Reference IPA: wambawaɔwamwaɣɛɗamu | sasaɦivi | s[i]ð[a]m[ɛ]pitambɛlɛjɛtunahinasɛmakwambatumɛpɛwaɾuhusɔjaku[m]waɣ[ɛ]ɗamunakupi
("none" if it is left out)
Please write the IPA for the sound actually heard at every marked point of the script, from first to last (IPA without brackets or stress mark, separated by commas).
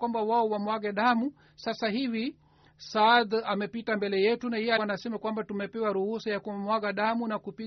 a, a, ɛ, m, a